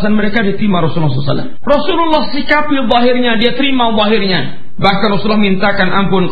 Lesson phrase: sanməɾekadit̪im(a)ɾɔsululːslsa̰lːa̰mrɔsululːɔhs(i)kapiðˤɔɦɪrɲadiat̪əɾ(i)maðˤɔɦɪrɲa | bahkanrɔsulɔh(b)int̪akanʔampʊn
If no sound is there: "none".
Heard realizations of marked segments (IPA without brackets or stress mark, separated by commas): a, i, i, m